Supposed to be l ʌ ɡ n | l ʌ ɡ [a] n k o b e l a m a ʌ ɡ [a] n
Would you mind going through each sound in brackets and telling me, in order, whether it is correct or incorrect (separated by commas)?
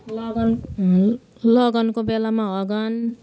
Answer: incorrect, incorrect